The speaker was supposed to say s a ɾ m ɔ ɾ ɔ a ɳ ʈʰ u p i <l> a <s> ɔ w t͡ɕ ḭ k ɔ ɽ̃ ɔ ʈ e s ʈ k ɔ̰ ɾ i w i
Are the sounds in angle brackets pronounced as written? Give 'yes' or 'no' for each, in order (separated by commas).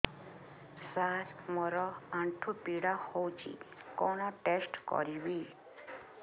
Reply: no, no